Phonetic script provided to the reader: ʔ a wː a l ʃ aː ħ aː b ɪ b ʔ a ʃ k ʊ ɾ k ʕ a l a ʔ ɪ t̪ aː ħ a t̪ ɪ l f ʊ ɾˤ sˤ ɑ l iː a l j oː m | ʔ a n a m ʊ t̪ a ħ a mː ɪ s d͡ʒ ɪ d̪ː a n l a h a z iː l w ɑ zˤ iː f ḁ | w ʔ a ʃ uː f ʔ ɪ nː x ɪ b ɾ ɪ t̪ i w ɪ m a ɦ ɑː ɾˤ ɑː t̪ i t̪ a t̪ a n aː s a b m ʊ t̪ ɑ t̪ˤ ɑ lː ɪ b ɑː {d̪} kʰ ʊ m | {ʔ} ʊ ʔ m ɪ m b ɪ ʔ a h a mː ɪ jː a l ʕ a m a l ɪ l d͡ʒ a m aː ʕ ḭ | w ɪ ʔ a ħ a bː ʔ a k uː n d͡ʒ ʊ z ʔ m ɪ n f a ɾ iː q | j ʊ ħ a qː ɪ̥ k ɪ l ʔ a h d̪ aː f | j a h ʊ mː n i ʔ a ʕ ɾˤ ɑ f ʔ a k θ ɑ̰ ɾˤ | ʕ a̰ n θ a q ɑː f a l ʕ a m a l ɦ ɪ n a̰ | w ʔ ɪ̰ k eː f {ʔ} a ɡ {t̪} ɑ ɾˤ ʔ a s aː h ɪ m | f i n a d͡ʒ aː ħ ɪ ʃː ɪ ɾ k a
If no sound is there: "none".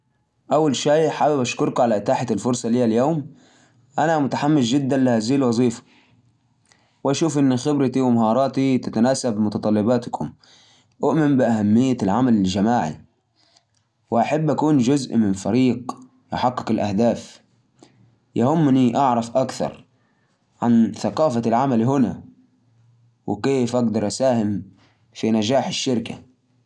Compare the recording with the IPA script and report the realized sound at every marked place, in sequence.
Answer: t̪, ʔ, ʔ, d̪

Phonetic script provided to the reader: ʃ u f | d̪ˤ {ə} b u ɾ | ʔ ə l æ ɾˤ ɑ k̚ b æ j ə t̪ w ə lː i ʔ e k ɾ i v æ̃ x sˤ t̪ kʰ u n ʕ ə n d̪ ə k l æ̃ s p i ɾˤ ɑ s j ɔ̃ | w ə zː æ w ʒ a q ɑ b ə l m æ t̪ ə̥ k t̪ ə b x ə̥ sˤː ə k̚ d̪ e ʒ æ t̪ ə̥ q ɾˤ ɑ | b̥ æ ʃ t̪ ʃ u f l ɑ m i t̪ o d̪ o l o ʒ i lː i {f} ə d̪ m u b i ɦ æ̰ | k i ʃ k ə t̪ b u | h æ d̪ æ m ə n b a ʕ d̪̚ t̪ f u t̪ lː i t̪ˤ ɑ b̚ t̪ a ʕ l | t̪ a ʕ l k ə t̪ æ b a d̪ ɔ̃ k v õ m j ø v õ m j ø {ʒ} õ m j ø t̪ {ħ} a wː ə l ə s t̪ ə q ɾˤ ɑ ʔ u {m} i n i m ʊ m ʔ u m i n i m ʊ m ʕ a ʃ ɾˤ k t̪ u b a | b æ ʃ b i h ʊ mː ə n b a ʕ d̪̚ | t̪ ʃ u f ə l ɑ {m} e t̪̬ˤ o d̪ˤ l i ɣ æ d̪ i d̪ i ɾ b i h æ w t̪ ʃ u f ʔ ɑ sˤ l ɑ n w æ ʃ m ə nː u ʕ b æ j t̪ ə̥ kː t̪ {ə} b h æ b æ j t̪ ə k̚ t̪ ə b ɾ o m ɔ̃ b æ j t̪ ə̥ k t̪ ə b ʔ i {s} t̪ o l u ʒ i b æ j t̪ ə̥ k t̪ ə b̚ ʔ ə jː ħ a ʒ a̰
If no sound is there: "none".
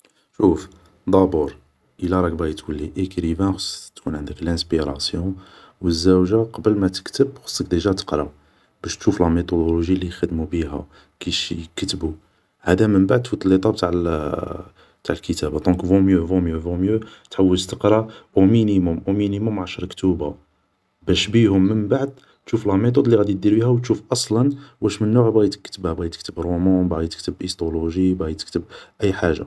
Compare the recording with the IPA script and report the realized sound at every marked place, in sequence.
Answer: ɑ, x, v, ħ, m, m, ə, s

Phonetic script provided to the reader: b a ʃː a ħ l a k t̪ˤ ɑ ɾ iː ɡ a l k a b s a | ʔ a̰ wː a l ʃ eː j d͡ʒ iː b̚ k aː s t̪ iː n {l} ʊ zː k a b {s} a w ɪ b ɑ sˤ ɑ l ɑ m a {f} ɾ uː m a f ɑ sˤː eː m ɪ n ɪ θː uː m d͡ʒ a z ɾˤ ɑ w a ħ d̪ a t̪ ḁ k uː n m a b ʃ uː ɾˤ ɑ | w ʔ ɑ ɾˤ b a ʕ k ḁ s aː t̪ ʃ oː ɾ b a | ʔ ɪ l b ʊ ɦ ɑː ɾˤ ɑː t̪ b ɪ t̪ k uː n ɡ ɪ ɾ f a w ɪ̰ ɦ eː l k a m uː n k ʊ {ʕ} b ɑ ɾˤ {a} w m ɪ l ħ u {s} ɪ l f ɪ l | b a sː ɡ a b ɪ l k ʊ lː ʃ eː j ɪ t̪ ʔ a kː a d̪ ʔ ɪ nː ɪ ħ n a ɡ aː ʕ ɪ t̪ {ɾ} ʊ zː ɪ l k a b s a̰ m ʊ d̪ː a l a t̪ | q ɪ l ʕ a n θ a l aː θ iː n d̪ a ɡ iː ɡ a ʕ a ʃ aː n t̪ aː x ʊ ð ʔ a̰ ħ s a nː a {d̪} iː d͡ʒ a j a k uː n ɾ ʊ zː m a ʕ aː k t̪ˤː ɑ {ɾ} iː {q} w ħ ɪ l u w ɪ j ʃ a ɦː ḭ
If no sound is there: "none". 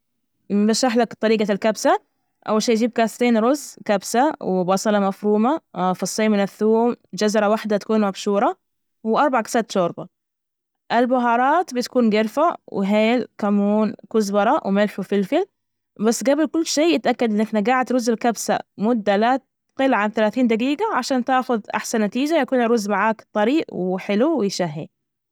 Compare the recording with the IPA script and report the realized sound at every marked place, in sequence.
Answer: ɾ, s, f, z, ɑ, f, ɾ, t̪, ɾ, ʔ

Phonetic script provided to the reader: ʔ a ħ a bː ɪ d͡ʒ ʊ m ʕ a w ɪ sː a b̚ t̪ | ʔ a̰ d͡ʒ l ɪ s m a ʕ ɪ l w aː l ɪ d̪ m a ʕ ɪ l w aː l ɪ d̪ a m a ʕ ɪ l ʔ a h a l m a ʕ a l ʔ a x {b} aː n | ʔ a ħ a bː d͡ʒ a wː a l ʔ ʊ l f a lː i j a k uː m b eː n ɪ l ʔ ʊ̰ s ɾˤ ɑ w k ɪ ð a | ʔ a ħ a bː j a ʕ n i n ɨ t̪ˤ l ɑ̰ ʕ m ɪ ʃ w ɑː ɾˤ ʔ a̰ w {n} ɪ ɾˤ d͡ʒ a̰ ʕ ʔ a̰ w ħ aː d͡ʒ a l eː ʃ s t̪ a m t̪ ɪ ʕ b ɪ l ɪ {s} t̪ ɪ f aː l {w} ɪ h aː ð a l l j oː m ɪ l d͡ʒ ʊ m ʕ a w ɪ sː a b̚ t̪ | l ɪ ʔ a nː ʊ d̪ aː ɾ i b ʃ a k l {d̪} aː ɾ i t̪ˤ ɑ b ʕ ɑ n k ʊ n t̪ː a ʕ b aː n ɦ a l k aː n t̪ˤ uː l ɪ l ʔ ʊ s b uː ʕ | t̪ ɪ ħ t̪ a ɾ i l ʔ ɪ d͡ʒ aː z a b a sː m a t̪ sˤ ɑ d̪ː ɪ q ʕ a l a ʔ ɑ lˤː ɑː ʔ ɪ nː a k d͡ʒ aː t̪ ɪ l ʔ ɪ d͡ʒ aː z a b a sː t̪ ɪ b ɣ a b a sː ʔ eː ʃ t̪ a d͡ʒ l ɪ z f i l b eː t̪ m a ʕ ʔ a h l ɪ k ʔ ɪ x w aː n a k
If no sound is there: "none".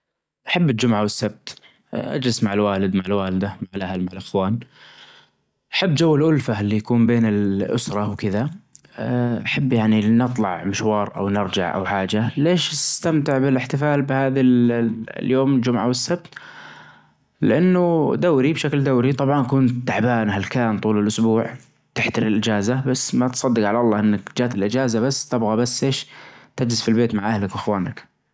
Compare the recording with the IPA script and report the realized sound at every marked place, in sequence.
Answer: w, n, ħ, b, d̪

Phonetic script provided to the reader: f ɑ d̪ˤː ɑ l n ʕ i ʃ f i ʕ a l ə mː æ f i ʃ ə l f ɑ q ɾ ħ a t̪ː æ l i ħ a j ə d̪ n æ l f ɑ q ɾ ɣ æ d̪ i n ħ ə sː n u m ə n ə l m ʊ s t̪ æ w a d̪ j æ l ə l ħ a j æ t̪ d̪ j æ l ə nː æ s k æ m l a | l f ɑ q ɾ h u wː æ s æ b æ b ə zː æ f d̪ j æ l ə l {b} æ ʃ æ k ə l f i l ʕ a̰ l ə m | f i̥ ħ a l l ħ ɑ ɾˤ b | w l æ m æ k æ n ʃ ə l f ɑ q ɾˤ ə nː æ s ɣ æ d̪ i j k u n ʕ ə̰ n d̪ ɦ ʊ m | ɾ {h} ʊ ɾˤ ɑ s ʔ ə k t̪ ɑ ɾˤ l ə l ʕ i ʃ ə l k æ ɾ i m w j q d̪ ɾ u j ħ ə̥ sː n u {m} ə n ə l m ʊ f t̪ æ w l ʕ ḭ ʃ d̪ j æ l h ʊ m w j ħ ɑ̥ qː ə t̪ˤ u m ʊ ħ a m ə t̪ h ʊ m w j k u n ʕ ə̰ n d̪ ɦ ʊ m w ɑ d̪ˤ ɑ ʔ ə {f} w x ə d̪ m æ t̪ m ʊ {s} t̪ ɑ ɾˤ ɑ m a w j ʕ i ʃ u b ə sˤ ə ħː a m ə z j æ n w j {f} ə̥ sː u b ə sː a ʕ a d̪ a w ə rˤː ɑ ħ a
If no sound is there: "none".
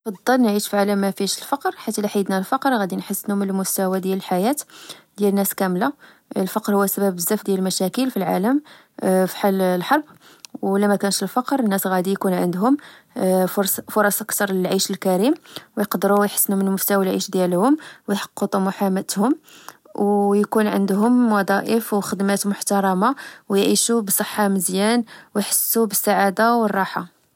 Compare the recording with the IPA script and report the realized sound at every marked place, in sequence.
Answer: m, f, m, f, ħ, ħ

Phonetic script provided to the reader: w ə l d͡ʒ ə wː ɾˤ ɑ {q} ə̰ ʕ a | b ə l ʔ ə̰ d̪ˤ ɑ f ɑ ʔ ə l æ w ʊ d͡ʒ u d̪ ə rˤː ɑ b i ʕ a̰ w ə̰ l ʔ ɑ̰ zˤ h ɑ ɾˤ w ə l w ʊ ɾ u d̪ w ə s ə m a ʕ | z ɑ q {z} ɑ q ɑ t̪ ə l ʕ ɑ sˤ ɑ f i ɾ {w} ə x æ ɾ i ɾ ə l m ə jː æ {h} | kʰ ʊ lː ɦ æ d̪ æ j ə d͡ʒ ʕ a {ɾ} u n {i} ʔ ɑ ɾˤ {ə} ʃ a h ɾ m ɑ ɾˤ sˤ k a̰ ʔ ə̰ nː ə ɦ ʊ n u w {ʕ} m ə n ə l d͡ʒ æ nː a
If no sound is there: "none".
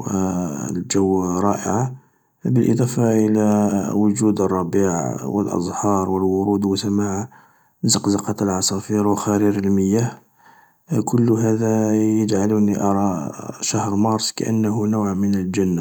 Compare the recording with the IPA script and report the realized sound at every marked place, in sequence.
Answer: ʔ, z, w, h, l, i, ɑ, ʕ

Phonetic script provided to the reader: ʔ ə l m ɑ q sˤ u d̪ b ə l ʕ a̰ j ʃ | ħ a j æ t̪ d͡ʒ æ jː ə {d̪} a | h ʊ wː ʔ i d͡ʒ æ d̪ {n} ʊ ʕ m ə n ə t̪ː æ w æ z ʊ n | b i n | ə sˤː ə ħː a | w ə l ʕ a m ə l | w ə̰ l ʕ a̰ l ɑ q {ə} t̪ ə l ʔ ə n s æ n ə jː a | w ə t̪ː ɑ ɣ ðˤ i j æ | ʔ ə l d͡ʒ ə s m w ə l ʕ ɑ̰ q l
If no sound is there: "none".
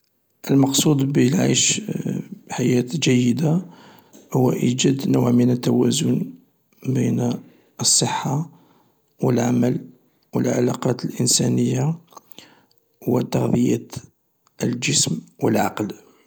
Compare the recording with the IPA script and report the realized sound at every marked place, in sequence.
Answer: d̪, n, ɑ

